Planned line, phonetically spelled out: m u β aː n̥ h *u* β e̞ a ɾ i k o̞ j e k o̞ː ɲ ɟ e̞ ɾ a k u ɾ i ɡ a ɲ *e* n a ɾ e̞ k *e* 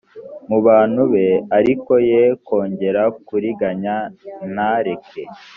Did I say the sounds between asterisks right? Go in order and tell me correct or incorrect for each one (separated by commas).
correct, incorrect, correct